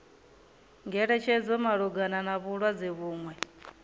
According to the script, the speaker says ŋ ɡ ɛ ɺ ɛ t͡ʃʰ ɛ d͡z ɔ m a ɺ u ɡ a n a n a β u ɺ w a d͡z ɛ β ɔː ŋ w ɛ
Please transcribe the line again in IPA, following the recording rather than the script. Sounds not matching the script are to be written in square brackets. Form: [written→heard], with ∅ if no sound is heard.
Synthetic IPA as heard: ŋ ɡ ɛ ɺ ɛ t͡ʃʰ ɛ d͡z ɔ m a ɺ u ɡ a n a n a β u ɺ w a d͡z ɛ β [ɔː→uː] ŋ w ɛ